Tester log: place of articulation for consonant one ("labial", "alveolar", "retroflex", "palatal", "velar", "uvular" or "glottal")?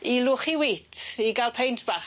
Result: alveolar